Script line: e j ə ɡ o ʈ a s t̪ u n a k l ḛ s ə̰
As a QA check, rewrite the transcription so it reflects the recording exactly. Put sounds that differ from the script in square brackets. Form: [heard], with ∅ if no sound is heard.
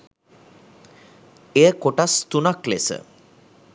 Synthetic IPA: e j ə [k] o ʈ a s t̪ u n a k l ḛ s ə̰